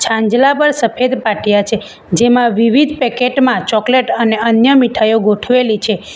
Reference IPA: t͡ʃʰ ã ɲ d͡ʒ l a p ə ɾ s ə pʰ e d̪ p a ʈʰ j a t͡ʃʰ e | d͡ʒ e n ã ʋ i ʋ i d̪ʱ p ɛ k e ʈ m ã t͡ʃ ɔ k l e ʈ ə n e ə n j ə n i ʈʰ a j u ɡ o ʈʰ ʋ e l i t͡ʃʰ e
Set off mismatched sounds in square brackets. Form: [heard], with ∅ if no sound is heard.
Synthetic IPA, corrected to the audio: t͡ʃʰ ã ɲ d͡ʒ l a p ə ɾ s ə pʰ e d̪ p a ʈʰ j a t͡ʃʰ e | d͡ʒ e [m] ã ʋ i ʋ i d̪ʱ p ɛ k e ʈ m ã t͡ʃ ɔ k l e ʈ ə n e ə n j ə [m] i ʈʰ a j [o] ɡ o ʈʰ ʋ e l i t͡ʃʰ e